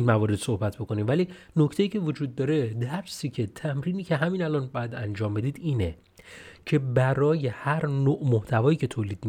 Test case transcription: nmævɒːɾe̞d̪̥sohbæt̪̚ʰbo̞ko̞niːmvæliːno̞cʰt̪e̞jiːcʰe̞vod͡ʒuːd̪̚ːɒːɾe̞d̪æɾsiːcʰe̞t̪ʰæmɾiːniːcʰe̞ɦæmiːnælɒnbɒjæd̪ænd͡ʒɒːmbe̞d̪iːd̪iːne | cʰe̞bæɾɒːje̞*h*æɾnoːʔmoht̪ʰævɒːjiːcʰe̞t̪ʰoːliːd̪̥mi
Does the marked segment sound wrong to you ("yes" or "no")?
no